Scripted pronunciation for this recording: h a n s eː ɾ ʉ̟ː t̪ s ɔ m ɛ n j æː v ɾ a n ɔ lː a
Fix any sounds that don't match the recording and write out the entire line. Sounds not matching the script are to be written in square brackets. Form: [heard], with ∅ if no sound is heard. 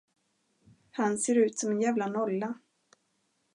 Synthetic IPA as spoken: h a n s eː ɾ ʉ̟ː t̪ s ɔ m ɛ n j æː v [l] a n ɔ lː a